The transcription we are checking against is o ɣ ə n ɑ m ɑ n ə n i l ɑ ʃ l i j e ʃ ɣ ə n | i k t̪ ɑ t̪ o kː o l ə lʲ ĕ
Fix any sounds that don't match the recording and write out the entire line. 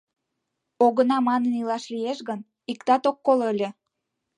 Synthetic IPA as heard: o ɣ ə n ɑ m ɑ n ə n i l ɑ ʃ l i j e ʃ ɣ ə n | i k t̪ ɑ t̪ o kː o l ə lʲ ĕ

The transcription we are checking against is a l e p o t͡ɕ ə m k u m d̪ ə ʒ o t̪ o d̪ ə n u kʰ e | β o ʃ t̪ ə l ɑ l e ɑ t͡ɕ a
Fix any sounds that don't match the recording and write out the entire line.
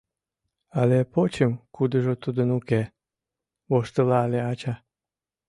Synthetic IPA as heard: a l e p o t͡ɕ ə m k u d̪ ə ʒ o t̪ u d̪ ə n u k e | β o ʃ t̪ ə l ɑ l e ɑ t͡ɕ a

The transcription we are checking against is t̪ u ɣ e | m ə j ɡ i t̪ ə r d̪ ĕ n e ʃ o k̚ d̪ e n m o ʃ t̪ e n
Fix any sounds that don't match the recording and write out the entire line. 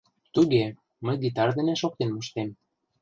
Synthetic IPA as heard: t̪ u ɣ e | m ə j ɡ i t̪ ɑ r d̪ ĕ n e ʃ o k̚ t̪ e n m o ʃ t̪ e m

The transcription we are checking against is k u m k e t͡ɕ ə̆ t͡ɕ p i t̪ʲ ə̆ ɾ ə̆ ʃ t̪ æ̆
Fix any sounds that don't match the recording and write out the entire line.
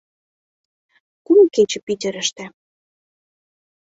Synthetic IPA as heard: k u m k e t͡ɕ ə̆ p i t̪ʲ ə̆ ɾ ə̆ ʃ t̪ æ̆

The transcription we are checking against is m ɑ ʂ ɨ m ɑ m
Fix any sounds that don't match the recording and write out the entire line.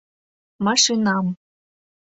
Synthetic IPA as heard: m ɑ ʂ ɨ n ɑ m

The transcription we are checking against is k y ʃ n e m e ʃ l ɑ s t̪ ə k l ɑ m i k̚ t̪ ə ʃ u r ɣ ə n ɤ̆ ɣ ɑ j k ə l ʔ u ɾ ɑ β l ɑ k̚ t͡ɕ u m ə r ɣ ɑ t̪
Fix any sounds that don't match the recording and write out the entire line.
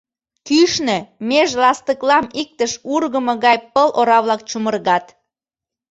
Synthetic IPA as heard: k y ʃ n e m e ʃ l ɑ s t̪ ə k l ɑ m i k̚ t̪ ə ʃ u r ɣ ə m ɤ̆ ɣ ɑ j p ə l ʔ o ɾ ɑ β l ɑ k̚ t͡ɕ u m ə r ɣ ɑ t̪

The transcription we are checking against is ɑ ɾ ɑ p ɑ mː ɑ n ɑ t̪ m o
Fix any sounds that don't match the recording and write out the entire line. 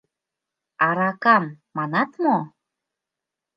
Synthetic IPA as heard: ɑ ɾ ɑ k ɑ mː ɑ n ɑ t̪ m o

